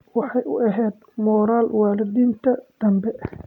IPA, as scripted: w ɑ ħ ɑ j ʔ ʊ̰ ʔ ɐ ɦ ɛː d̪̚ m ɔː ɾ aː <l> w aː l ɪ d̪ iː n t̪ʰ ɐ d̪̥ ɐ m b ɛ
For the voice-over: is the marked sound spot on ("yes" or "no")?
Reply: yes